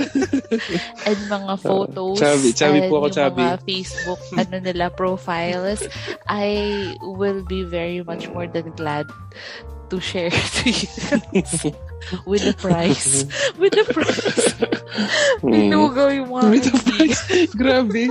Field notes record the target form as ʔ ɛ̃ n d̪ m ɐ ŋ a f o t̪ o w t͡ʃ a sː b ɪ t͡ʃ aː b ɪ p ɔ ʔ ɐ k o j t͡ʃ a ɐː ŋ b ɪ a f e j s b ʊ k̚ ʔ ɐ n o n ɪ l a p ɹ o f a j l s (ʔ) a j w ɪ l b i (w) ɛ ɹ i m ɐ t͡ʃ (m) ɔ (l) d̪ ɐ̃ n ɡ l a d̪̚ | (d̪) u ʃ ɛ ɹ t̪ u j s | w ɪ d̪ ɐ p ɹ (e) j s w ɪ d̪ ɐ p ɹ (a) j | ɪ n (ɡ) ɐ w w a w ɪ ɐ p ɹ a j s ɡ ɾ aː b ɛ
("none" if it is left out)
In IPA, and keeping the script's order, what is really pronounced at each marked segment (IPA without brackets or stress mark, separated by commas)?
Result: ʔ, v, m, ɹ, t̪, a, a, ɡ